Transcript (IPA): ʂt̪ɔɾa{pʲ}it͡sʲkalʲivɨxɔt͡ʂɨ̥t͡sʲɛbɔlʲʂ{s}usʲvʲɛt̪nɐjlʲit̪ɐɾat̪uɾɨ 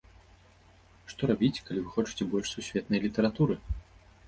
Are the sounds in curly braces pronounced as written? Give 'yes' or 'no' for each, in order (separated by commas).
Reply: no, yes